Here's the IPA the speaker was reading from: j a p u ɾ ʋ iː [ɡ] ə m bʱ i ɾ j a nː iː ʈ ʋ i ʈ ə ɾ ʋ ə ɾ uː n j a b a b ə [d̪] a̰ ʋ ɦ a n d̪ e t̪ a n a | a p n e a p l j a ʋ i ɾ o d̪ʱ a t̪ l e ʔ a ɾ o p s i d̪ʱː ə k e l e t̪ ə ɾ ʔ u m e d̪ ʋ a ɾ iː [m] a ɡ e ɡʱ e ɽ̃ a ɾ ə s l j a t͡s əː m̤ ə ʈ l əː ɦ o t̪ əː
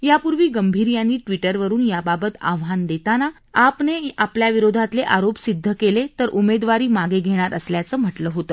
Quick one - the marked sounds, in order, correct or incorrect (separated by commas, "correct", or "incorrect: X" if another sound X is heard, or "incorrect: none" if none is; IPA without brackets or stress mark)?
correct, incorrect: t̪, correct